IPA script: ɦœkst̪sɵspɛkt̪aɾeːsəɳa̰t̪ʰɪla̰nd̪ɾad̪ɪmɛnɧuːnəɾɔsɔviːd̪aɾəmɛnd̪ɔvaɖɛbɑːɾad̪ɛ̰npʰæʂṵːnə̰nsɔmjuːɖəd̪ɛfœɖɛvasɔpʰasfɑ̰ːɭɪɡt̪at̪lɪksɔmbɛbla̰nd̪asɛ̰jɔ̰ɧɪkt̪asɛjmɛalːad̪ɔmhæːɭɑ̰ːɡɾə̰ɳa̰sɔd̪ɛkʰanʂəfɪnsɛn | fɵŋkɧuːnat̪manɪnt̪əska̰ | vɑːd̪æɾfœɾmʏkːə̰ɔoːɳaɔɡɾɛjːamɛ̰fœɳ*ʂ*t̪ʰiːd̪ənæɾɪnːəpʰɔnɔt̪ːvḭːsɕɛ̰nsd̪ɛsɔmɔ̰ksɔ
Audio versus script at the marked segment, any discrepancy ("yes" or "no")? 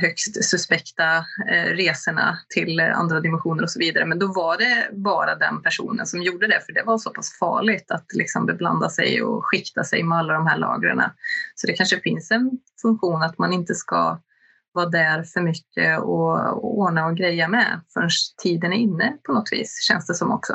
no